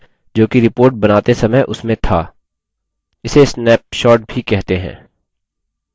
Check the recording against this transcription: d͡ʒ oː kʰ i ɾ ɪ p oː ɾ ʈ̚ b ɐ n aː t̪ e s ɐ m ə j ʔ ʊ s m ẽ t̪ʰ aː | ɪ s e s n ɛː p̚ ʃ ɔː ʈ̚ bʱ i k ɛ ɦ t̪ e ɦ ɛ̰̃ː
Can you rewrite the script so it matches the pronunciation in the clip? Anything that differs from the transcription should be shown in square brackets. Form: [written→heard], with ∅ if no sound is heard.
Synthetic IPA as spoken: d͡ʒ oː [kʰ→k] i ɾ ɪ p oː ɾ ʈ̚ b ɐ n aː t̪ e s ɐ m ə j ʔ ʊ s m ẽ t̪ʰ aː | ɪ s e s n ɛː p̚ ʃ ɔː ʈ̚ bʱ i k ɛ ɦ t̪ e ɦ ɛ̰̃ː